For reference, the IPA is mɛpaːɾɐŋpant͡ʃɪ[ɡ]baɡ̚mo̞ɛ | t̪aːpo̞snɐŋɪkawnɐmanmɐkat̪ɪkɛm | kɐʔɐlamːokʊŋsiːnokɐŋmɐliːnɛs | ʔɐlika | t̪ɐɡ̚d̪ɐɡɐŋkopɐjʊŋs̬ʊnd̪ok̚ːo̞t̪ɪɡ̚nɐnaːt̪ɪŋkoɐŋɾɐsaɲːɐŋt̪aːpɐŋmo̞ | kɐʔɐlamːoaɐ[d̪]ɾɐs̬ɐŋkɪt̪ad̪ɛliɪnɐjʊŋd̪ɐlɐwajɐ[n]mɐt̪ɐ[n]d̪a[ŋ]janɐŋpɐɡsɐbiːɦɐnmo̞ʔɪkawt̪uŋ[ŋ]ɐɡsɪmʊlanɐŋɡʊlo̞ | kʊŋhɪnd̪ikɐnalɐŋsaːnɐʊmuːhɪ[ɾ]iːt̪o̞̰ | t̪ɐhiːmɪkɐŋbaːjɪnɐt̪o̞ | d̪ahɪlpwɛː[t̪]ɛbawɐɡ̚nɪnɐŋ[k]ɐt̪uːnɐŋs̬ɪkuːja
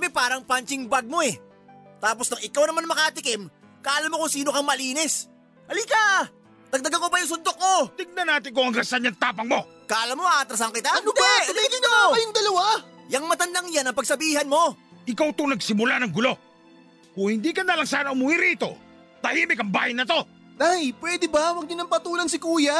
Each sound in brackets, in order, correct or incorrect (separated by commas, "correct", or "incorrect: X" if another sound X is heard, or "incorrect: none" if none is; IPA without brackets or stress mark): incorrect: ŋ, incorrect: t̪, incorrect: ŋ, correct, correct, incorrect: n, correct, incorrect: d̪, incorrect: p